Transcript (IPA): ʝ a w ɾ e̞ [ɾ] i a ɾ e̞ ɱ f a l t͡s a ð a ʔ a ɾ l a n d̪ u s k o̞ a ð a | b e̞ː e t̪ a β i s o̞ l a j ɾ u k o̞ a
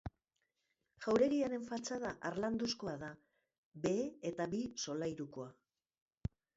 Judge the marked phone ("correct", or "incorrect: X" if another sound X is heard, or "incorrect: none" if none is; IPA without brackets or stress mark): correct